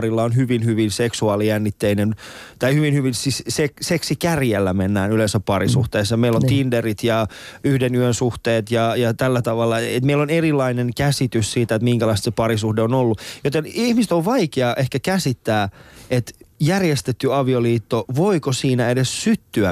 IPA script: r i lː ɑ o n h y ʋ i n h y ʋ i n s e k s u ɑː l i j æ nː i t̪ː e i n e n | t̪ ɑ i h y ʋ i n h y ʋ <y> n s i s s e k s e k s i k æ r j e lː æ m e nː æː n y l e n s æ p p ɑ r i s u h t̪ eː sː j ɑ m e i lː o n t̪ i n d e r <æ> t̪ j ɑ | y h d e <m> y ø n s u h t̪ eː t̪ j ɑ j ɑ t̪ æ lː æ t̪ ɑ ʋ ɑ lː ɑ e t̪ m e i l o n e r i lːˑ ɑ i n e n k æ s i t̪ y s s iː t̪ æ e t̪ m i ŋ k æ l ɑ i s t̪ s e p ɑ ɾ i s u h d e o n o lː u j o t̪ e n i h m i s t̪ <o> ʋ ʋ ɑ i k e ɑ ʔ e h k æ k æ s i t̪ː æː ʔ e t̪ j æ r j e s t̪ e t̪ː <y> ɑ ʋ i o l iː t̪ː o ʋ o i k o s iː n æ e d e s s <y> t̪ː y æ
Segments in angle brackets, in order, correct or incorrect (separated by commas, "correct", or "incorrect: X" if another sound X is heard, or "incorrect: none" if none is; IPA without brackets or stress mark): incorrect: i, incorrect: i, incorrect: n, correct, correct, correct